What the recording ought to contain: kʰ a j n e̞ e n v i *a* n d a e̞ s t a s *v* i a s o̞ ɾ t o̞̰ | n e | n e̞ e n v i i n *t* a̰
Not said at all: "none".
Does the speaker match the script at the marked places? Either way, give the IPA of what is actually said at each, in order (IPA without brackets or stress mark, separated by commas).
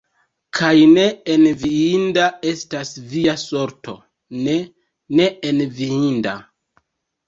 i, v, d